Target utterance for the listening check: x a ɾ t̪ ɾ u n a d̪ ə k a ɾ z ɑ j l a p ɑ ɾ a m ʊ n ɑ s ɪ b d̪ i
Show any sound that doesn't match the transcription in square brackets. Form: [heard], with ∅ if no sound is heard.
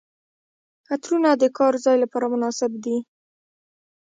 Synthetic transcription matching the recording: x a [∅] t̪ ɾ u n a d̪ ə k [ɑ] ɾ z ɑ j l a p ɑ ɾ a m ʊ n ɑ s ɪ b d̪ i